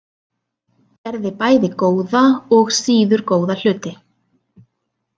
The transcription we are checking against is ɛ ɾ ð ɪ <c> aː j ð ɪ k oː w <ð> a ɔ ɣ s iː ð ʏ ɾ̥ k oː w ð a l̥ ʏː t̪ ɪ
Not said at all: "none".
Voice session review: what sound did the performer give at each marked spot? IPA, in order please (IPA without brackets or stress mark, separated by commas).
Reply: p, ð